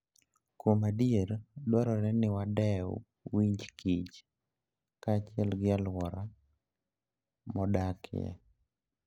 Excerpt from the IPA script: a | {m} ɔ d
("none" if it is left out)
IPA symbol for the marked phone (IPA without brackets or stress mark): m